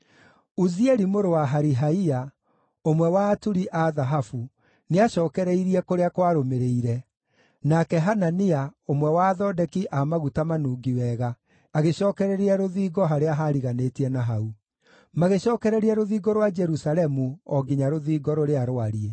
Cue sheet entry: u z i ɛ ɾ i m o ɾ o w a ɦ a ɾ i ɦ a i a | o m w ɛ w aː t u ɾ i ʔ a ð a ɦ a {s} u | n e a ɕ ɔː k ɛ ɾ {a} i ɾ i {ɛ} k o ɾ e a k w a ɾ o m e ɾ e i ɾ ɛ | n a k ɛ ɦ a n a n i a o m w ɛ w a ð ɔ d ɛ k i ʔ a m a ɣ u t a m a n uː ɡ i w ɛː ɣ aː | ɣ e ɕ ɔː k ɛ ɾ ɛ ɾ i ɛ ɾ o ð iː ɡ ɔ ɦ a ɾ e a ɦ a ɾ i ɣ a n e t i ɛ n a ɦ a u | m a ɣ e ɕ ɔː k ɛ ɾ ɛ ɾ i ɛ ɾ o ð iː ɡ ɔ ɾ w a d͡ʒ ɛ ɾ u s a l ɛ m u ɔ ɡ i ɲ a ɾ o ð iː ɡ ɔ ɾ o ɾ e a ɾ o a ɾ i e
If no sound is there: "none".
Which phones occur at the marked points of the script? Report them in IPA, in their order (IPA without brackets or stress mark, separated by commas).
f, ɛ, ɛ